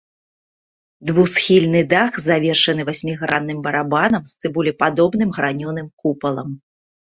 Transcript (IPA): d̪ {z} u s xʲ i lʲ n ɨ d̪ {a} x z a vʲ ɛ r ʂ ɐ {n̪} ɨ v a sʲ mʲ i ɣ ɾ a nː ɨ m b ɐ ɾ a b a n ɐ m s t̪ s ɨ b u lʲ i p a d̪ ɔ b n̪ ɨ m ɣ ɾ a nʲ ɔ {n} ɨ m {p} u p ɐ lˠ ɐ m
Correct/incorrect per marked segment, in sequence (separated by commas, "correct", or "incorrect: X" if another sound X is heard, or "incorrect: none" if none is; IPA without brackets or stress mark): incorrect: v, correct, correct, correct, incorrect: k